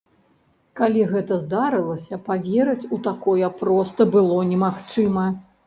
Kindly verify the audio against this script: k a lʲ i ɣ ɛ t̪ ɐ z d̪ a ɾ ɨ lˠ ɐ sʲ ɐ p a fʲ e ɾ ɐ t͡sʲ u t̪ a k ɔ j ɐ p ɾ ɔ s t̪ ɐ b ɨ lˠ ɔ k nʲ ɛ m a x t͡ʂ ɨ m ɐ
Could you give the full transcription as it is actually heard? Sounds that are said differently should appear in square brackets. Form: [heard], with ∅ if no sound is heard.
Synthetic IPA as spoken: k a lʲ i ɣ ɛ t̪ ɐ z d̪ a ɾ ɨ lˠ ɐ sʲ ɐ p a [vʲ] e ɾ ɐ t͡sʲ u t̪ a k ɔ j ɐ p ɾ ɔ s t̪ ɐ b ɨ lˠ ɔ [∅] nʲ ɛ m a x t͡ʂ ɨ m ɐ